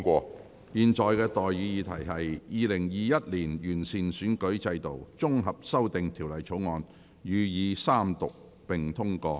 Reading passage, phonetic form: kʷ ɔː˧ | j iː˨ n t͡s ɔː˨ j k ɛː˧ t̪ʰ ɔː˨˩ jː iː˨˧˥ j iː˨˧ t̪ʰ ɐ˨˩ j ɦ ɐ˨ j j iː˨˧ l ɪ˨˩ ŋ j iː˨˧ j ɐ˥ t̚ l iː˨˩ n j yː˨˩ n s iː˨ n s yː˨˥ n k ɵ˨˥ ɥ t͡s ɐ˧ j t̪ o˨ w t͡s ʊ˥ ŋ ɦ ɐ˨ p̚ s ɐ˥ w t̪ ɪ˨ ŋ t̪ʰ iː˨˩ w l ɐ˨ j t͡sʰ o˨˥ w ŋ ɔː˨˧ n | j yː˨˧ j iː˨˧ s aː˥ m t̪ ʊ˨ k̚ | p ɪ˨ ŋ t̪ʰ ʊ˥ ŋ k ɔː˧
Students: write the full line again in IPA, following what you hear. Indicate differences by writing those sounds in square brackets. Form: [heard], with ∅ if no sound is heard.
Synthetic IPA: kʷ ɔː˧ | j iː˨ n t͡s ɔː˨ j k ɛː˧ [t̪] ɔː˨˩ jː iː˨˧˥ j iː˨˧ t̪ʰ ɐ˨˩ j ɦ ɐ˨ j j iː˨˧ l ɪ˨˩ ŋ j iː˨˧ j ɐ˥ t̚ l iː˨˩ n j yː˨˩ n s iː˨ n s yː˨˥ n k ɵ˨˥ ɥ t͡s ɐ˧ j t̪ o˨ w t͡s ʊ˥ ŋ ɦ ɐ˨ p̚ s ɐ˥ w t̪ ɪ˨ ŋ t̪ʰ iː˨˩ w l ɐ˨ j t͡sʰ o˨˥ w ŋ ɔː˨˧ n | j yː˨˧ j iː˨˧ s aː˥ m t̪ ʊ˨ k̚ | p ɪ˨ ŋ t̪ʰ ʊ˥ ŋ k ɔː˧

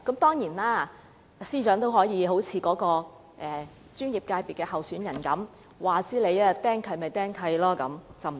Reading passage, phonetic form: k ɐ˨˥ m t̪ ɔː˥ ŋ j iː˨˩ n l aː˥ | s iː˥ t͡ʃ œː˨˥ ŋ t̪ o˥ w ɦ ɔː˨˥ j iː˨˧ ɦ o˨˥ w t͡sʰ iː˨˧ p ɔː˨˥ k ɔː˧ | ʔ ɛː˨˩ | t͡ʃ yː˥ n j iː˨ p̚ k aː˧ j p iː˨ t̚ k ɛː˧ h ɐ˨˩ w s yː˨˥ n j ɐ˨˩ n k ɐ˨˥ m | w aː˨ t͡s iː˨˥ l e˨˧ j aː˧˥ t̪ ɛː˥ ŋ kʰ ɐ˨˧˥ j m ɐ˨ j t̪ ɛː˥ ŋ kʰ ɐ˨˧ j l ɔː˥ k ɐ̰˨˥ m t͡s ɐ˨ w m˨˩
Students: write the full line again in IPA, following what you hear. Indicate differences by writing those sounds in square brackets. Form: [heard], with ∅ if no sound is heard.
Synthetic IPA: k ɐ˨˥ m t̪ ɔː˥ ŋ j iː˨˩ n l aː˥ | s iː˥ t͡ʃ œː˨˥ ŋ t̪ o˥ w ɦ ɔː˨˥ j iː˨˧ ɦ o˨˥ w t͡sʰ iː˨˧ [k] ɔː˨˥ k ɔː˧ | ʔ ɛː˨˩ | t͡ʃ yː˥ n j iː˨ p̚ k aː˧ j p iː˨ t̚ k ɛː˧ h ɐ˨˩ w s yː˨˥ n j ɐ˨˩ n k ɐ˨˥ m | w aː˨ t͡s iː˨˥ l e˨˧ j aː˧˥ t̪ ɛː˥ ŋ kʰ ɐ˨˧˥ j m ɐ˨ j t̪ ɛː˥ ŋ kʰ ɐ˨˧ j l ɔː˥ k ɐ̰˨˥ m t͡s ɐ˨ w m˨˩

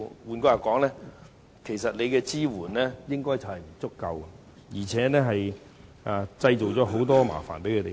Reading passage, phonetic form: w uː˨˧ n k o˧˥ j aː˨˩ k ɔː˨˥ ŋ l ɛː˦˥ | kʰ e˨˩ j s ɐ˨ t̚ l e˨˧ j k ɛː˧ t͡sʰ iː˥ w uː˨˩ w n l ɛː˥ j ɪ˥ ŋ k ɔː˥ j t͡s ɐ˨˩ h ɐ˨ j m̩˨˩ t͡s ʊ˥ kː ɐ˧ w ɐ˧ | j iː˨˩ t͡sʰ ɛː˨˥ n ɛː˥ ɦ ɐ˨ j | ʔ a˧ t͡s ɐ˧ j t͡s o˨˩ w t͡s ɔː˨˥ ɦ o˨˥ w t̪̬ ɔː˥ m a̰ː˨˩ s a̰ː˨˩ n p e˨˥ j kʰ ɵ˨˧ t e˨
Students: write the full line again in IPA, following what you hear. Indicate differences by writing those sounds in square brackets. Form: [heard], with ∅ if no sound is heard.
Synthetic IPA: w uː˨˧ n k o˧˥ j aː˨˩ k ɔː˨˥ ŋ l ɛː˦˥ | kʰ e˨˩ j s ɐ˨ t̚ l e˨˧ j k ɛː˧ [t͡s] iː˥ w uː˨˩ [∅] n l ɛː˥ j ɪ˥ ŋ k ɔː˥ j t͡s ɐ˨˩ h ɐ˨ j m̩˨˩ t͡s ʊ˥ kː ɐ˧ w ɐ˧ | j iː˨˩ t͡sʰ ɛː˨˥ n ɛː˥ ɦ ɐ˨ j | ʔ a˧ t͡s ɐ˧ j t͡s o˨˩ w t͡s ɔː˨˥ ɦ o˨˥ w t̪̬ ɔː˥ m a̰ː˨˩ [f] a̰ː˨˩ n p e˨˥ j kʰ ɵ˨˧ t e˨

